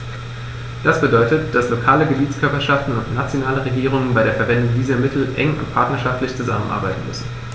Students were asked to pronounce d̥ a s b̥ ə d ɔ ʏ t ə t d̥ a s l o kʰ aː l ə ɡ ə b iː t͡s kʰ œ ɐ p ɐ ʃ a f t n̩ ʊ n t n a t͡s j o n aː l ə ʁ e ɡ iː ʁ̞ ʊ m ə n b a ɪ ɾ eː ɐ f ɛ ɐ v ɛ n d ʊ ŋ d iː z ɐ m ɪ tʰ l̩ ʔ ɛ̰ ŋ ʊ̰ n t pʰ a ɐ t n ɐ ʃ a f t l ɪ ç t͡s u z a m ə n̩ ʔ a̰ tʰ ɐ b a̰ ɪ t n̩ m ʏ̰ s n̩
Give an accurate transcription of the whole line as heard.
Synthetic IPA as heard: d̥ a s b̥ ə d ɔ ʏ t ə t d̥ a s l o kʰ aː l ə ɡ ə b iː t͡s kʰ œ ɐ p ɐ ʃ a f t n̩ ʊ n t n a t͡s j o n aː l ə ʁ e ɡ iː ʁ̞ ʊ ŋ ə n b a ɪ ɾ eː ɐ f ɛ ɐ v ɛ n d ʊ ŋ d iː z ɐ m ɪ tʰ l̩ ʔ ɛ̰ ŋ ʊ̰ n t pʰ a ɐ t n ɐ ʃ a f t l ɪ ç t͡s u z a m ə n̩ ʔ a̰ ɐ b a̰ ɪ t n̩ m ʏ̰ s n̩